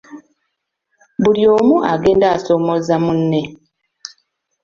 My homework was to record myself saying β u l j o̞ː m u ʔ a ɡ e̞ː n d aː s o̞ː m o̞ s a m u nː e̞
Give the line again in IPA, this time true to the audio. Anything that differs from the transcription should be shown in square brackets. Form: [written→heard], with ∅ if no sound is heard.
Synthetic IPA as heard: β u l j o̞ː m u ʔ a ɡ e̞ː n d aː s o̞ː m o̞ [s→z] a m u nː e̞